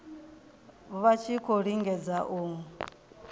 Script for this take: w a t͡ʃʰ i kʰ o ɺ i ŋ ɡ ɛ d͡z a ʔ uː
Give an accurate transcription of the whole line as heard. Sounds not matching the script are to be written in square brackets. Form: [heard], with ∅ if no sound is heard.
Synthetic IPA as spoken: [β] a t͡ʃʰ i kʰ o ɺ i ŋ ɡ ɛ d͡z a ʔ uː